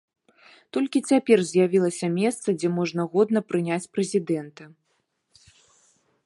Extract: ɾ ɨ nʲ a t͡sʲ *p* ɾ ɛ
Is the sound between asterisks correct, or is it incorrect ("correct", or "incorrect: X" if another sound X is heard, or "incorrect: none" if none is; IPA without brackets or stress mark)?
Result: correct